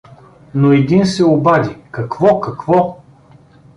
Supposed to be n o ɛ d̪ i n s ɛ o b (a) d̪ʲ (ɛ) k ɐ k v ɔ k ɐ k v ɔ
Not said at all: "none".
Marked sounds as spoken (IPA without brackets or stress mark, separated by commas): a, i